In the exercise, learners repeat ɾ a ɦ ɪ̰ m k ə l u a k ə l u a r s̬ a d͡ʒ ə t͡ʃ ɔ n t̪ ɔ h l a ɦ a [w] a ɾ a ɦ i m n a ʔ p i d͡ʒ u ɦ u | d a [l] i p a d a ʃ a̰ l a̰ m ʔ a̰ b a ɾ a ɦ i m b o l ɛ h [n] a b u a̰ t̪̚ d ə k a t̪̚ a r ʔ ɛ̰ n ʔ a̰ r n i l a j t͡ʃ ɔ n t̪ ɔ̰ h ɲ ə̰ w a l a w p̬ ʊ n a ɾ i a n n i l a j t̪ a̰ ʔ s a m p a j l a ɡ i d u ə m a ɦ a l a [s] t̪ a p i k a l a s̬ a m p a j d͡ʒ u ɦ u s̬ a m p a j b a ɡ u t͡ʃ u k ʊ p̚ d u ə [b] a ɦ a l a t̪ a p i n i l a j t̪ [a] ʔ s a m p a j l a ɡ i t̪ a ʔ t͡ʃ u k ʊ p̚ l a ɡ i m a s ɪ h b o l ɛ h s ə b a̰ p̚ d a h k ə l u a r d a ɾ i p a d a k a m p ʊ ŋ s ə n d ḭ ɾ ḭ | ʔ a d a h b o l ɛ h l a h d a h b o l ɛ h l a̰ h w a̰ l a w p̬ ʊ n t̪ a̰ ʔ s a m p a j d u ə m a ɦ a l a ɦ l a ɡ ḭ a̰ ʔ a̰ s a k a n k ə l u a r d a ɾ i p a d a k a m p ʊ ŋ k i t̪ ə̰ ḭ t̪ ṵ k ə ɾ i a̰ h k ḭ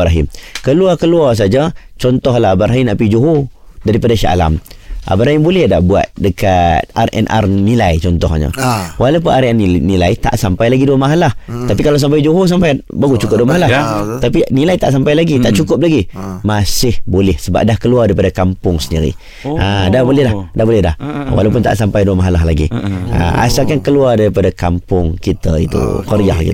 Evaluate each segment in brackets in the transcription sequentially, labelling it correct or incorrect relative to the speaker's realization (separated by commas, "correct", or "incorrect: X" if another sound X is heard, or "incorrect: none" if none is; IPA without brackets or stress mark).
incorrect: b, incorrect: ɾ, incorrect: d, incorrect: h, incorrect: m, correct